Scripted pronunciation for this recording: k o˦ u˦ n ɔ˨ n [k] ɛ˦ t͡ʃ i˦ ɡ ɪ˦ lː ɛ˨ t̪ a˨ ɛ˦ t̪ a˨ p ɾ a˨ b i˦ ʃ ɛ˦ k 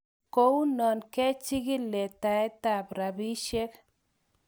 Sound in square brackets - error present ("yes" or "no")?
no